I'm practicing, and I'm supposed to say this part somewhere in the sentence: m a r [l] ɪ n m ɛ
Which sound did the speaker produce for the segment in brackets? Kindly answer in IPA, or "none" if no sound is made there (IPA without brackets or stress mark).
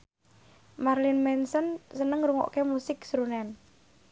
l